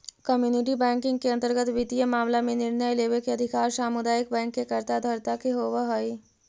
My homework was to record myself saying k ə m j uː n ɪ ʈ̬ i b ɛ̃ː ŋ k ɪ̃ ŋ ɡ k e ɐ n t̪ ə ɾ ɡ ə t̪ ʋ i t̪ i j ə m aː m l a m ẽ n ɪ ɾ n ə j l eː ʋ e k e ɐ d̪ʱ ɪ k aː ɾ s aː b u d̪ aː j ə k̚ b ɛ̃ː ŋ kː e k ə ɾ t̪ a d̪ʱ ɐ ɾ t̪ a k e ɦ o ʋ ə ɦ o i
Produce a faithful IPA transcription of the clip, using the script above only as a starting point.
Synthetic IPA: k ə m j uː n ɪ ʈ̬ i b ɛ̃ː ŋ k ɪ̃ ŋ ɡ k e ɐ n t̪ ə ɾ ɡ ə t̪ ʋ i t̪ i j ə m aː m l a m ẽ n ɪ ɾ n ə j l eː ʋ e k e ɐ d̪ʱ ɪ k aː ɾ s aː m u d̪ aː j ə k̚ b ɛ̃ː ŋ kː e k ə ɾ t̪ a d̪ʱ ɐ ɾ t̪ a k e ɦ o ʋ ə ɦ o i